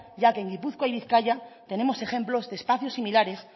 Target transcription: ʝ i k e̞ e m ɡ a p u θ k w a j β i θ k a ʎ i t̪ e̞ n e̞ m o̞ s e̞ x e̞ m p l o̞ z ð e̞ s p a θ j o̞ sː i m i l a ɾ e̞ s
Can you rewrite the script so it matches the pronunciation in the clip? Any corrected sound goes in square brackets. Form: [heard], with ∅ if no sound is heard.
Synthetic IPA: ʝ [a] k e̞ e [ŋ] ɡ [i] p u θ k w a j β i θ k a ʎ [a] t̪ e̞ n e̞ m o̞ s e̞ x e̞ m p l o̞ z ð e̞ s p a θ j o̞ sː i m i l a ɾ e̞ s